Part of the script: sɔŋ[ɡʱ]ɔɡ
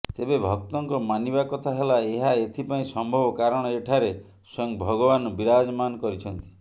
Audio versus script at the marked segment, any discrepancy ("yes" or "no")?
yes